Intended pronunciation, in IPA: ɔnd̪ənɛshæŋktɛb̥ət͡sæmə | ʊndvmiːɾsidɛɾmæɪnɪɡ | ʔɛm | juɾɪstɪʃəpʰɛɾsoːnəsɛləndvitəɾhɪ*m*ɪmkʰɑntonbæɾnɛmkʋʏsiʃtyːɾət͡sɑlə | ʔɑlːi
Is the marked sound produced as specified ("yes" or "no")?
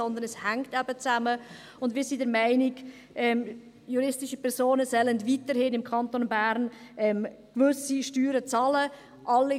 no